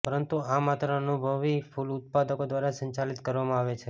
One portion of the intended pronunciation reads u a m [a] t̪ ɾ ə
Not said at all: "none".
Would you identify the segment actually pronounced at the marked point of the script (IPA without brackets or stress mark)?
a